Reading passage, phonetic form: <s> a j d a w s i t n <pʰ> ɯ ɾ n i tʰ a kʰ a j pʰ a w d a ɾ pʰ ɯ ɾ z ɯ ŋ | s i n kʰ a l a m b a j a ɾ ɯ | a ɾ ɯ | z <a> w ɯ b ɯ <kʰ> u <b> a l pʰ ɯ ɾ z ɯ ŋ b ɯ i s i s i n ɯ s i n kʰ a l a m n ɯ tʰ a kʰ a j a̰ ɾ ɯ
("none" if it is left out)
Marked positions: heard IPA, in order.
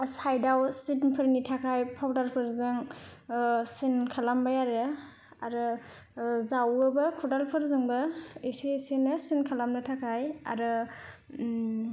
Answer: s, pʰ, a, kʰ, d

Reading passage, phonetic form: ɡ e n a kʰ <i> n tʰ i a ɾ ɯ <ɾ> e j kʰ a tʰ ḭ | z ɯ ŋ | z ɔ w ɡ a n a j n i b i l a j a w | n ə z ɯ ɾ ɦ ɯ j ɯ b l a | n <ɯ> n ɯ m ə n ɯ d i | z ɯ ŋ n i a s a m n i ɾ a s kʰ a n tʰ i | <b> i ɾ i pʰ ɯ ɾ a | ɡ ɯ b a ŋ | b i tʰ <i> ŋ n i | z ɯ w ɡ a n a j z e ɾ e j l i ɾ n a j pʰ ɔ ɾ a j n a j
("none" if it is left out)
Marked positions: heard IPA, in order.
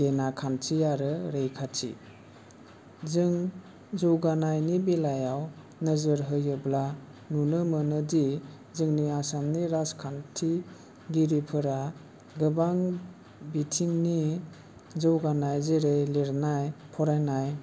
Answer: a, ɾ, u, ɡ, i

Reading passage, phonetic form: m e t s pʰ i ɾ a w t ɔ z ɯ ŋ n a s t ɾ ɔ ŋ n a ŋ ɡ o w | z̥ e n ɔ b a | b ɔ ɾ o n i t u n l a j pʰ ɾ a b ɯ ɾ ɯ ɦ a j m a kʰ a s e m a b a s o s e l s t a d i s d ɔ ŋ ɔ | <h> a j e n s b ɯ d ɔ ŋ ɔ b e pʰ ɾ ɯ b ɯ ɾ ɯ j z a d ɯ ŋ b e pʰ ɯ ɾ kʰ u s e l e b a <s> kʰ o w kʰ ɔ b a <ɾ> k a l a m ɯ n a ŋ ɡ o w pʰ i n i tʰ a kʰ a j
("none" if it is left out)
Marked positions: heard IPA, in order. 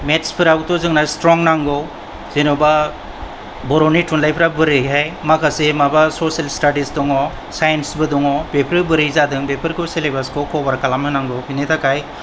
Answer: s, s, ɾ

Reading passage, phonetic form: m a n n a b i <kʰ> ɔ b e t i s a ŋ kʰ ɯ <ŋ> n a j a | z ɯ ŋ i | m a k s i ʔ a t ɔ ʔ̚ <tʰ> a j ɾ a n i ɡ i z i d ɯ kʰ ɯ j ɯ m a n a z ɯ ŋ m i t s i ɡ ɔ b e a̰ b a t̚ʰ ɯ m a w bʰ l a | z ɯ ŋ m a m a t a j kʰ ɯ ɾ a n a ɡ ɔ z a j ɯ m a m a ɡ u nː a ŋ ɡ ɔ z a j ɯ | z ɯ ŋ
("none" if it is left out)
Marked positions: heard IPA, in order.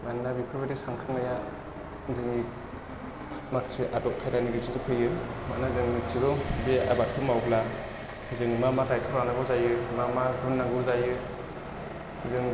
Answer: pʰ, ŋ, kʰ

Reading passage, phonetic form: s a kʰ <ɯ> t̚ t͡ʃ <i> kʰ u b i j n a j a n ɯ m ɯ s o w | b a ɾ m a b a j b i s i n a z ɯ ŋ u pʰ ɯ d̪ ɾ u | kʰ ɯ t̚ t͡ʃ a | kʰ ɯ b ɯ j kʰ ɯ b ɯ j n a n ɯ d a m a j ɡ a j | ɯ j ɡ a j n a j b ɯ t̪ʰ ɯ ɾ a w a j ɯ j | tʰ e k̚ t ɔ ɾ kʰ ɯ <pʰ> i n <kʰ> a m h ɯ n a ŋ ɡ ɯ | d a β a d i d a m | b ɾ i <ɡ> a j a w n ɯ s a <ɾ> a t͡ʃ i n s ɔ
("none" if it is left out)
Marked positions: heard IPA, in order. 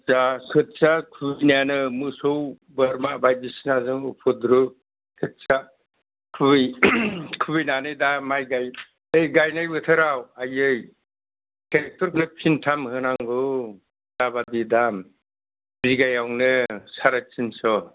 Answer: ɯ, a, pʰ, tʰ, ɡ, ɾ

